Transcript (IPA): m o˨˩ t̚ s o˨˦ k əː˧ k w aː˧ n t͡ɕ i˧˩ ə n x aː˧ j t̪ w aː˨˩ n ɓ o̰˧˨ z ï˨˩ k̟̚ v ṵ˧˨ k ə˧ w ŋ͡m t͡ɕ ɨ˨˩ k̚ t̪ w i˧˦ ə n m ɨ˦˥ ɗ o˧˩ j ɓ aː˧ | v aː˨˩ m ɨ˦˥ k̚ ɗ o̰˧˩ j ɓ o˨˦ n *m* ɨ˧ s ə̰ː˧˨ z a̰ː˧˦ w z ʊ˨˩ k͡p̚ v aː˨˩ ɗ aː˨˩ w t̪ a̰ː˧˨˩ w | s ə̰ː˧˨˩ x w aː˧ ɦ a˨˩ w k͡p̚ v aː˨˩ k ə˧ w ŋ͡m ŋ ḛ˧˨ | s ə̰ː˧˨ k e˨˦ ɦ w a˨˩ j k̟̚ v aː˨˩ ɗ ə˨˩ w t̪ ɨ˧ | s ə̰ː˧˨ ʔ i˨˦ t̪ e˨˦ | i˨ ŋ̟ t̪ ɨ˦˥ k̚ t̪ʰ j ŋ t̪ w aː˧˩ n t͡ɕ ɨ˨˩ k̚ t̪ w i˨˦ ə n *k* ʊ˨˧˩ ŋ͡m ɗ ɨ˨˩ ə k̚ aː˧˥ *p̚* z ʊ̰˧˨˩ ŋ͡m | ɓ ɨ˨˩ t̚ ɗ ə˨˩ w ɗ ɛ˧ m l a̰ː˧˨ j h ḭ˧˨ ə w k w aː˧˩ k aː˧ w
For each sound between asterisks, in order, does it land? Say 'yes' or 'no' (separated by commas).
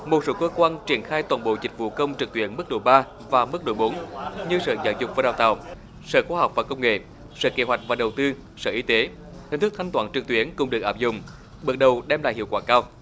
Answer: no, yes, yes